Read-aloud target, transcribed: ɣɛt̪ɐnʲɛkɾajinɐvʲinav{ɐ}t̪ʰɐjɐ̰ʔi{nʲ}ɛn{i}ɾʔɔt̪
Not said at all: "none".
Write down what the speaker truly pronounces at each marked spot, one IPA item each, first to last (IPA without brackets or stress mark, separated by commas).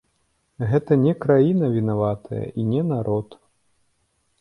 a, nʲ, a